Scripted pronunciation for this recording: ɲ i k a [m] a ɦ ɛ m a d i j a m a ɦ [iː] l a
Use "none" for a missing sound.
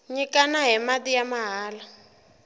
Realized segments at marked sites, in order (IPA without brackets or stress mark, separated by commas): n, aː